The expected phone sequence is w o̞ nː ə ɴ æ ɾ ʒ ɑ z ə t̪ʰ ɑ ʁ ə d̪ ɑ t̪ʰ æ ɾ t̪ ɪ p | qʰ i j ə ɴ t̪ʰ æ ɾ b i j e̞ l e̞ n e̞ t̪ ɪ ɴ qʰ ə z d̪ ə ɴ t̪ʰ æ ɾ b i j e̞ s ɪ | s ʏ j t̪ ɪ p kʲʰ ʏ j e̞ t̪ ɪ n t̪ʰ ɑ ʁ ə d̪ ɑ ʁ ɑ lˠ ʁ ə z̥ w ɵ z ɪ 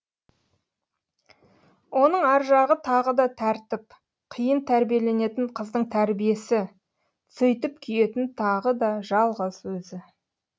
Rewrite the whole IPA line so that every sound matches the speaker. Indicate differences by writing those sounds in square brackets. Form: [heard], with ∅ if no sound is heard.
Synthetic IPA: w o̞ [n] ə ɴ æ ɾ ʒ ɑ [ʁ] ə t̪ʰ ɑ ʁ ə d̪ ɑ t̪ʰ æ ɾ t̪ ɪ p | qʰ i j ə [n] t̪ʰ æ ɾ b i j e̞ l e̞ n e̞ t̪ ɪ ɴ qʰ ə z d̪ ə ɴ t̪ʰ æ ɾ b i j e̞ s ɪ | s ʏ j t̪ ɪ p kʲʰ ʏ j e̞ t̪ ɪ n t̪ʰ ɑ ʁ ə d̪ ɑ [ʒ] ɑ lˠ ʁ ə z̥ w ɵ z ɪ